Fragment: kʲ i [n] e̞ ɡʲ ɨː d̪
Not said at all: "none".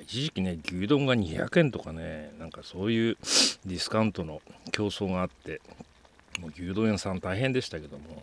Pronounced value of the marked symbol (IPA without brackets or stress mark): n